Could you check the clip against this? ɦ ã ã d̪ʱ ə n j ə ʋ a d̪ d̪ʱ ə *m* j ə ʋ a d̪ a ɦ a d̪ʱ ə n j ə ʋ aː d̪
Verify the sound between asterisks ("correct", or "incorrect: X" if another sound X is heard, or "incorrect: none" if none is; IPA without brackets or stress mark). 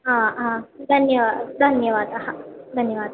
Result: incorrect: n